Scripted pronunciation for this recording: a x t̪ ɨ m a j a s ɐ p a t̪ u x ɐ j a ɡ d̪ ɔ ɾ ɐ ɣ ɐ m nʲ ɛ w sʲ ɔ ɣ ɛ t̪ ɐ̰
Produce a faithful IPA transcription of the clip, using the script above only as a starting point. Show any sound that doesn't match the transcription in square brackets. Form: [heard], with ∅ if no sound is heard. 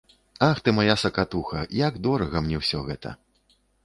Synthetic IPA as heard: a x t̪ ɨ m a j a s ɐ [k] a t̪ u x ɐ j a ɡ d̪ ɔ ɾ ɐ ɣ ɐ m nʲ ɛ w sʲ ɔ ɣ ɛ t̪ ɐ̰